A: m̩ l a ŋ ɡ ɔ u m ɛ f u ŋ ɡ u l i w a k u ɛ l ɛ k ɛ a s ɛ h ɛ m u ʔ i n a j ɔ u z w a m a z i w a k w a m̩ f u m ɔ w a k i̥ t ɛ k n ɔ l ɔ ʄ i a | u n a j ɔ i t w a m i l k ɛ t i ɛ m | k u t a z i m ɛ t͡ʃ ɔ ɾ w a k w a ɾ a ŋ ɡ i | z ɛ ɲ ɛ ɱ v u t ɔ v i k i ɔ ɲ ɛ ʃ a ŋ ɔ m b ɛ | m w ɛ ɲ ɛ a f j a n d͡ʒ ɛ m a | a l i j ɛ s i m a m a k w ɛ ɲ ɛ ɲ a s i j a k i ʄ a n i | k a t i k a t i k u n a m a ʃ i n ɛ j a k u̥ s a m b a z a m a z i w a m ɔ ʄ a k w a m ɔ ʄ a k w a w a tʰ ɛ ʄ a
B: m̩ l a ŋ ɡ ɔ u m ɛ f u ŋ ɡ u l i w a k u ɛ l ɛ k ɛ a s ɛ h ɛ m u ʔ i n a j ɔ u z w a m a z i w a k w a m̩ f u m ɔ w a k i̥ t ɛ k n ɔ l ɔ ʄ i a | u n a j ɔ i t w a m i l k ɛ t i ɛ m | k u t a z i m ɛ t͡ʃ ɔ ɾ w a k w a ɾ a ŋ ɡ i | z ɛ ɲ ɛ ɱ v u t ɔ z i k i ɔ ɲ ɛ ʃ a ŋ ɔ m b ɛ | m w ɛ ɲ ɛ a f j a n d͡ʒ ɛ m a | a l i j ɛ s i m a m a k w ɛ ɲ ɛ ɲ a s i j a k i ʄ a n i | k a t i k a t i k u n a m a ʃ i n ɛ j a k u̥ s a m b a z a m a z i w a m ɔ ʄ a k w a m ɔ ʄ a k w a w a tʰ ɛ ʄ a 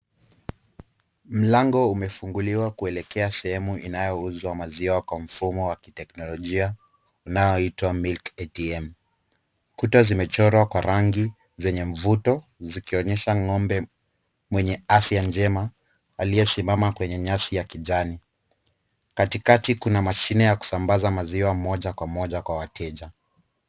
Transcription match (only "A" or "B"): B